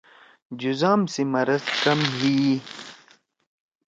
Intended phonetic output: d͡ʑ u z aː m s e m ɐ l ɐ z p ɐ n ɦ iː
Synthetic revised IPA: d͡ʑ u z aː m s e m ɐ ɾ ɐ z k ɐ m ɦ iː

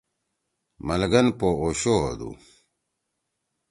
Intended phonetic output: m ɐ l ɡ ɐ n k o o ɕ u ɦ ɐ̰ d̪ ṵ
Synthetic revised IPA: m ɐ l ɡ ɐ n p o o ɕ o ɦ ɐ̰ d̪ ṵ

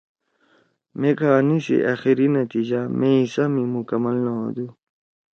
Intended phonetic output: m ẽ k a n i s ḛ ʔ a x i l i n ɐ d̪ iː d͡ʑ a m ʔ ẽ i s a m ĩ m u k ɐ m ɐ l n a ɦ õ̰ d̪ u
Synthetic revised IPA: m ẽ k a n i s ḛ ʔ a x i ɾ i n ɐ t̪ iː d͡ʑ a m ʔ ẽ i s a m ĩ m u k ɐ m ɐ l n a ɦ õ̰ d̪ u

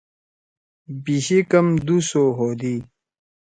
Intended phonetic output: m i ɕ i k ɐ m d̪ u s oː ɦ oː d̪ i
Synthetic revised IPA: b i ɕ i k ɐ m d̪ u s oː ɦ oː d̪ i

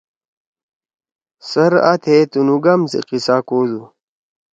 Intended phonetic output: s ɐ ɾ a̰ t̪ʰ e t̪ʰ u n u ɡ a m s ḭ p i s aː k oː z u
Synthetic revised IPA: s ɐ ɾ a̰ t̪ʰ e t̪ u n u ɡ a m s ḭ q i s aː k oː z u

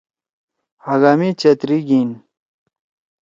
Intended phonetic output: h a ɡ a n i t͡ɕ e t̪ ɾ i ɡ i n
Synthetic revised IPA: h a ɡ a m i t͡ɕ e t̪ ɾ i ɡ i n

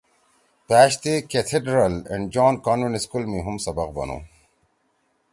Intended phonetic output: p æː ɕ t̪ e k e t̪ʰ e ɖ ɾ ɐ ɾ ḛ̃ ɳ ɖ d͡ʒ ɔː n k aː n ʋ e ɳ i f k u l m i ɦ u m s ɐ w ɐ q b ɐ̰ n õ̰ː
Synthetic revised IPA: p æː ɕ t̪ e k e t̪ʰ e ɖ ɾ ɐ l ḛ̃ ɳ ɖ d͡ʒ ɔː n k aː n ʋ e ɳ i s k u l m i ɦ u m s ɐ b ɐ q b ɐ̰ n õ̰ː

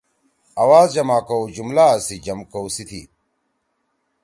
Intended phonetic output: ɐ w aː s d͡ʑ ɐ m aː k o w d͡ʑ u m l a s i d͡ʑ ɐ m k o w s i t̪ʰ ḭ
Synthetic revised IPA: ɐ w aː z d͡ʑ ɐ m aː k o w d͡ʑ u m l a s i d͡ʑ ɐ m k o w s i t̪ʰ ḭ

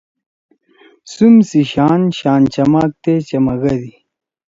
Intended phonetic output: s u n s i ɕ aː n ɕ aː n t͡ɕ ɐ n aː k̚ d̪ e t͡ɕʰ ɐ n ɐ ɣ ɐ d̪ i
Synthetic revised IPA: s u m s i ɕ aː n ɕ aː n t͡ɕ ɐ m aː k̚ t̪ e t͡ɕ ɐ m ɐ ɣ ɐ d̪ i

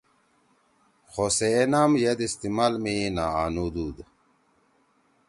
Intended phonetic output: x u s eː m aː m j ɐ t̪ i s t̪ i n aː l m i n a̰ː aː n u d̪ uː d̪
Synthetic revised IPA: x o s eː n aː m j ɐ d̪ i s t̪ i m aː l m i n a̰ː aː n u d̪ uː d̪

